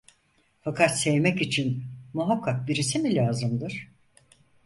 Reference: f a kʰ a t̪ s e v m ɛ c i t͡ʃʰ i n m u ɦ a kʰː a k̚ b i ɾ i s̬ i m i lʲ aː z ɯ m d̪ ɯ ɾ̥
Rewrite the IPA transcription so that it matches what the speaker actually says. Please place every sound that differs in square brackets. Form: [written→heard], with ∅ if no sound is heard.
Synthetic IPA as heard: f a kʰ a t̪ s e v m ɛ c i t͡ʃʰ i n m u ɦ a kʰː a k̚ b i ɾ i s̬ i m i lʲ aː z ɯ m d̪ ɯ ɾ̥